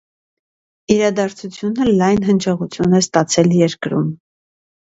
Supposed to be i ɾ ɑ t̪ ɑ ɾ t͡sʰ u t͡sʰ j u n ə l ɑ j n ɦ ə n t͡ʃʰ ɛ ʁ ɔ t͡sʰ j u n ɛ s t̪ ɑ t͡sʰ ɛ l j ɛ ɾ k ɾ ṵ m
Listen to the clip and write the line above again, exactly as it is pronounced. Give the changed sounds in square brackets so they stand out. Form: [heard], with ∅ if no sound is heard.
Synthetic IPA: i ɾ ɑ [d̪] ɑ ɾ t͡sʰ u t͡sʰ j u n ə l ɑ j n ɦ ə n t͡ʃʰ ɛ ʁ [u] t͡sʰ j u n ɛ s t̪ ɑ t͡sʰ ɛ l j ɛ ɾ k ɾ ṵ m